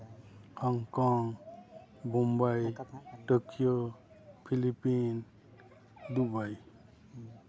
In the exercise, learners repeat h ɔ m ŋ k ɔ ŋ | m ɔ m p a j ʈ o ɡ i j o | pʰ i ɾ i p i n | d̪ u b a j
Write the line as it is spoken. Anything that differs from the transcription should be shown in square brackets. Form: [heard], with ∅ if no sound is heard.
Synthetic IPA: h ɔ [∅] ŋ k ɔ ŋ | [b] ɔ m [b] a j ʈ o [k] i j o | pʰ i [l] i p i n | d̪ u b a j